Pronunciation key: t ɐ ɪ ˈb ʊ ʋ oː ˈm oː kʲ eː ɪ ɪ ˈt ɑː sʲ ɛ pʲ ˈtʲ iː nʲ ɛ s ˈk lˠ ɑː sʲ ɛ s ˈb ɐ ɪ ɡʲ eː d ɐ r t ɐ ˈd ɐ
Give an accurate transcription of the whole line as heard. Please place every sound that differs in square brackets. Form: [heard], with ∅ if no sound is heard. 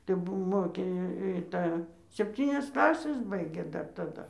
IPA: t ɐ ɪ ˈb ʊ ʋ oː ˈm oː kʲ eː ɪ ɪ ˈt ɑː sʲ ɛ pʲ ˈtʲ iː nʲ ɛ s ˈk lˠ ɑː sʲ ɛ s ˈb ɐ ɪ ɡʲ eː d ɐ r t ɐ ˈd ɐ